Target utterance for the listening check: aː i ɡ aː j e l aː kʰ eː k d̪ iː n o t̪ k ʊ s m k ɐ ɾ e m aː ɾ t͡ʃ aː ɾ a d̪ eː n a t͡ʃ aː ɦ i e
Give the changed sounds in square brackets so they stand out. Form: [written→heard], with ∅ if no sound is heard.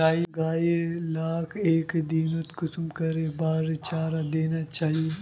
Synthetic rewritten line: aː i ɡ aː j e l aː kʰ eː k d̪ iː n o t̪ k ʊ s m k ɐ ɾ e [m→b] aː ɾ t͡ʃ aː ɾ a d̪ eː n a t͡ʃ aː ɦ i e